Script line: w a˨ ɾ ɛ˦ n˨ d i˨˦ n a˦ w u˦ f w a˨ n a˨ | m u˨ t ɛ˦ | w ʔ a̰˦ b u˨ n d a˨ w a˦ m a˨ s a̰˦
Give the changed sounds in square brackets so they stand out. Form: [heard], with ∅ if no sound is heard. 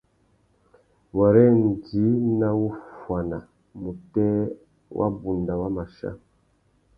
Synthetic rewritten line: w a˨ ɾ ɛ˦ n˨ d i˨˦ n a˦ w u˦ f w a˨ n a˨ | m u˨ t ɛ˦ | w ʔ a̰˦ b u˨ n d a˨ w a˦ m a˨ [ʃ] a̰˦